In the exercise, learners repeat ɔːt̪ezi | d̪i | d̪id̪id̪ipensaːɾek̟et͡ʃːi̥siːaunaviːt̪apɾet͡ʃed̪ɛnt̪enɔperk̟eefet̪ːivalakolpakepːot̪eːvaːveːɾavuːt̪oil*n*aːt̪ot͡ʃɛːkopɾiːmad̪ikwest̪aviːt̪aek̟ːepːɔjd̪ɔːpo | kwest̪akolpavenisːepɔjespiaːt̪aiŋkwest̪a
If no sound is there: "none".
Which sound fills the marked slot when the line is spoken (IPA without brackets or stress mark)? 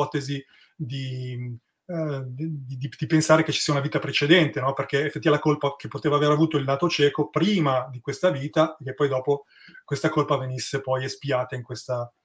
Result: n